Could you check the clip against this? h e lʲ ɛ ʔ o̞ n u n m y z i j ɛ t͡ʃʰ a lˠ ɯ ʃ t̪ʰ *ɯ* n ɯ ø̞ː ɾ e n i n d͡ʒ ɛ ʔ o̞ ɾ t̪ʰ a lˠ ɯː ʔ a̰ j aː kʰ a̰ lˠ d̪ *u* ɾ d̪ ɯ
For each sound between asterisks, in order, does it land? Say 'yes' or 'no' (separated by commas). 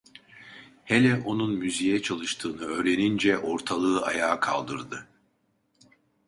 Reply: no, no